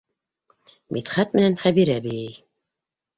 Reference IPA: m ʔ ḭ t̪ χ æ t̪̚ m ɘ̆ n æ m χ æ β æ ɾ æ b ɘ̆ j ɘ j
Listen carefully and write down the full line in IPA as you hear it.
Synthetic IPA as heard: m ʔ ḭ t̪ χ æ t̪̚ m ɘ̆ n æ n χ æ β i ɾ æ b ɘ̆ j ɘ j